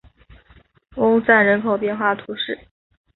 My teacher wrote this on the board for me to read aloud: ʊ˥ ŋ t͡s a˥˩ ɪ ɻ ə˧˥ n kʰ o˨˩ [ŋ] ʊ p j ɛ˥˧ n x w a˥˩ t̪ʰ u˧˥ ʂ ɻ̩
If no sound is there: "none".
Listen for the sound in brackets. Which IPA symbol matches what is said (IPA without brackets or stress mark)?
none